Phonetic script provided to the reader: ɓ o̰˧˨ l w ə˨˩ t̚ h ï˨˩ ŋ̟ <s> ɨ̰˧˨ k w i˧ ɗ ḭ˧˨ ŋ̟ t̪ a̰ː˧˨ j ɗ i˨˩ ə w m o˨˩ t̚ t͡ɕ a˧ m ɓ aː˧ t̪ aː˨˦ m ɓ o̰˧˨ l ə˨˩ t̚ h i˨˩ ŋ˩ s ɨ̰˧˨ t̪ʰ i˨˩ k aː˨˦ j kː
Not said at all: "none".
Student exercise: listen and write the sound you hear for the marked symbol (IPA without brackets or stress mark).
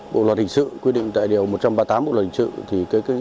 s